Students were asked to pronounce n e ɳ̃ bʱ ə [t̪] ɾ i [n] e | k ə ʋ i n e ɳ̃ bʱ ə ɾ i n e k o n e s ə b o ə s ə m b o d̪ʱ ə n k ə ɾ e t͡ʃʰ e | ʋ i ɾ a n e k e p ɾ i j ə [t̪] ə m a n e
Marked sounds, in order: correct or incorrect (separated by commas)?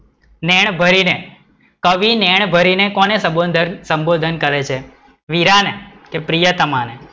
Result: incorrect, correct, correct